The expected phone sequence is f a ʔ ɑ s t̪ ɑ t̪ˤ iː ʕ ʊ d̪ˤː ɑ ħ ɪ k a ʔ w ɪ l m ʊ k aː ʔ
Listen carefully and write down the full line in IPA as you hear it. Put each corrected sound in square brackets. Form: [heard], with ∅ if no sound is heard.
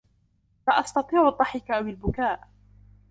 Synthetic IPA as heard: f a ʔ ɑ s t̪ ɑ t̪ˤ iː ʕ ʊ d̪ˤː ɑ ħ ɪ k a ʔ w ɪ l [b] ʊ k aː ʔ

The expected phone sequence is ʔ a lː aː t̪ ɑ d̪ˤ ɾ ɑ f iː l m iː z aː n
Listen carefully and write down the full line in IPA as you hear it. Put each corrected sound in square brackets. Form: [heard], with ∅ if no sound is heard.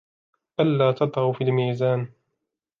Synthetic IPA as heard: ʔ a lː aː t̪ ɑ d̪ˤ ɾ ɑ f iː l m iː z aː n

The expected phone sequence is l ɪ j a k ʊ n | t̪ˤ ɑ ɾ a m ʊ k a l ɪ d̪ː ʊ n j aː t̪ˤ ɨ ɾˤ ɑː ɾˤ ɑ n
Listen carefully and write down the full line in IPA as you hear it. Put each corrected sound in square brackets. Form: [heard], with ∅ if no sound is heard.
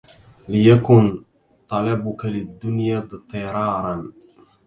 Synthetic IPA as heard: l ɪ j a k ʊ n | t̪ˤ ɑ [l] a [b] ʊ k a l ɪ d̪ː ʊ n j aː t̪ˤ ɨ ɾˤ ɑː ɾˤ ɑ n

